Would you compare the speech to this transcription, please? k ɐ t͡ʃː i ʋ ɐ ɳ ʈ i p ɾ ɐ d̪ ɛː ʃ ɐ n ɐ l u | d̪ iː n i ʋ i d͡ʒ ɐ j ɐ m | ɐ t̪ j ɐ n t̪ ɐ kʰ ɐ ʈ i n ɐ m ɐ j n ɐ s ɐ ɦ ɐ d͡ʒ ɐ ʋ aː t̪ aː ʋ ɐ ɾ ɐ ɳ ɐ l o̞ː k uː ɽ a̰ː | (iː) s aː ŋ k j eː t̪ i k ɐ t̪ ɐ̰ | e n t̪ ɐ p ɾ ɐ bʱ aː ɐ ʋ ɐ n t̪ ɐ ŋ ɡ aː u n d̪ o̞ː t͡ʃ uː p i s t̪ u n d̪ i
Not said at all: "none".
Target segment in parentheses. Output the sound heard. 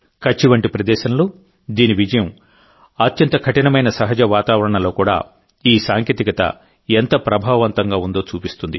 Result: iː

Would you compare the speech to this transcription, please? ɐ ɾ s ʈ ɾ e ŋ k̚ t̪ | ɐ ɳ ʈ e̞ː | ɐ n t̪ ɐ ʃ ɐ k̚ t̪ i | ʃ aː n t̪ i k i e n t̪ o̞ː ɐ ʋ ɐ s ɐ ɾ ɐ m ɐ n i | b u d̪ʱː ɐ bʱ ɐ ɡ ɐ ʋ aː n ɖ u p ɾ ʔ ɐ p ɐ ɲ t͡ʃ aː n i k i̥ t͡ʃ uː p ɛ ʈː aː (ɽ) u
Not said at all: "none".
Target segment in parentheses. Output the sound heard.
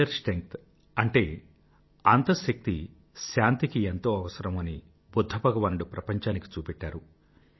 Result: ɾ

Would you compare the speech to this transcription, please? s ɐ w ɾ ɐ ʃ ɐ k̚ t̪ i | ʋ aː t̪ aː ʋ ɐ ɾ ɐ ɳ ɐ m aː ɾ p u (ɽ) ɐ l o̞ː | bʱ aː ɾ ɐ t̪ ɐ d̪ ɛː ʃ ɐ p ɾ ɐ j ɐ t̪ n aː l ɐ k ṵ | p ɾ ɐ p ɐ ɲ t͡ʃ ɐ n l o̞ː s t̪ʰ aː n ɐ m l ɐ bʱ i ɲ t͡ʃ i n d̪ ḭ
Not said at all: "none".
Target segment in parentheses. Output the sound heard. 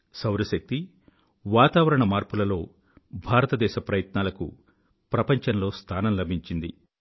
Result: l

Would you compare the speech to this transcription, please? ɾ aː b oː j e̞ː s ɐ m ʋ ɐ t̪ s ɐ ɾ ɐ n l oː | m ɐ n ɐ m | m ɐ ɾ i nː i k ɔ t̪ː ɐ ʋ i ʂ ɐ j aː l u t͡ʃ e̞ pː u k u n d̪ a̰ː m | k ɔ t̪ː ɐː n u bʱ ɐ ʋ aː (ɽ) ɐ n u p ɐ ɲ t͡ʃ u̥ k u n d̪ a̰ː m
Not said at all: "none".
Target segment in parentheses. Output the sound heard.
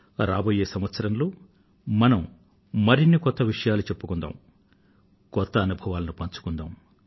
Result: l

